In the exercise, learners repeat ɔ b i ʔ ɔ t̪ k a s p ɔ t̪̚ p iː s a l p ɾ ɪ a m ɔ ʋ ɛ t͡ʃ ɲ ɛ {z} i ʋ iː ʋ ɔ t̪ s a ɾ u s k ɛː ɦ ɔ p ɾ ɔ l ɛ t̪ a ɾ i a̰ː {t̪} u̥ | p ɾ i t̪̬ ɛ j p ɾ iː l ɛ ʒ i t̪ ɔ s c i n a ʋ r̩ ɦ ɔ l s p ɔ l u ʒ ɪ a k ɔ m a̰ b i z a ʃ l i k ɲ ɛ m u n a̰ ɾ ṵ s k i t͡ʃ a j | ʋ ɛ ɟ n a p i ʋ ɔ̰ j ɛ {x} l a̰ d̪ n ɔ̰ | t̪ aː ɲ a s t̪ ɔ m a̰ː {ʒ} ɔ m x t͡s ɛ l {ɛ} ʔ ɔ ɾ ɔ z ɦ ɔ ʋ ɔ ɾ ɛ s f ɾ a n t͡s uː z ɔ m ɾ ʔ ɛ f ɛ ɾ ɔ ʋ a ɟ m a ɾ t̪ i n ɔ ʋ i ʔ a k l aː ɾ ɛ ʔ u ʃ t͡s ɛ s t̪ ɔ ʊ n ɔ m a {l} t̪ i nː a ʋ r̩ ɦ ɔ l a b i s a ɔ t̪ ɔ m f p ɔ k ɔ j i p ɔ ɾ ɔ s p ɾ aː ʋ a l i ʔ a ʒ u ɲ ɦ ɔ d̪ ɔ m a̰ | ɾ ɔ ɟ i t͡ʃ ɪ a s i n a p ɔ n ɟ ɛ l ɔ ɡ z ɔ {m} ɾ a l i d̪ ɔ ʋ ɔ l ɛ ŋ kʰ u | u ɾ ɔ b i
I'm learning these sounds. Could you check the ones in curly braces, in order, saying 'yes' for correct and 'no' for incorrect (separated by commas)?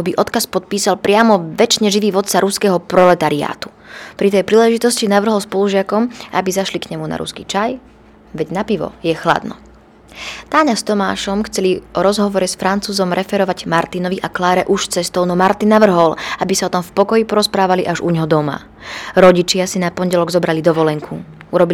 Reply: no, yes, yes, no, no, no, no